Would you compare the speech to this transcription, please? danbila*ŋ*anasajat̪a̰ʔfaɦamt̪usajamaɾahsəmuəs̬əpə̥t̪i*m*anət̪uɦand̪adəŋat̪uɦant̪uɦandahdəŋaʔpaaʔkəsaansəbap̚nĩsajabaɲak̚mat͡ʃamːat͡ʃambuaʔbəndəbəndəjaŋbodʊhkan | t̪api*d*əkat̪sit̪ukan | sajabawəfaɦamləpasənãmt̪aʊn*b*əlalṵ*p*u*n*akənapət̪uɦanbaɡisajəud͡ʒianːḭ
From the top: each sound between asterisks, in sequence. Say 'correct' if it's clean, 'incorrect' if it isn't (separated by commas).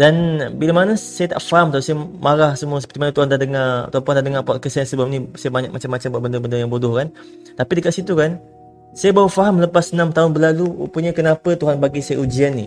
incorrect, correct, correct, correct, correct, incorrect